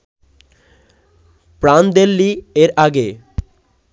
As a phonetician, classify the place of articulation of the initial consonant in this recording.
labial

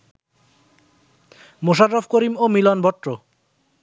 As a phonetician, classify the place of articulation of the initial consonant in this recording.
labial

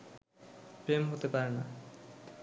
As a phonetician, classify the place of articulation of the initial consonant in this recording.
labial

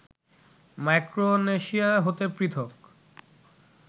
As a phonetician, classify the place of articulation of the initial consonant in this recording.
labial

